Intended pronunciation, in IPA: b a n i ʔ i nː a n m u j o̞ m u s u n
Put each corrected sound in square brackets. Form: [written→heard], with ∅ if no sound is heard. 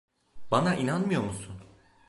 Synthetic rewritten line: b a n [i→a] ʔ i [nː→n] a n m [u→ɯ] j o̞ m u s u n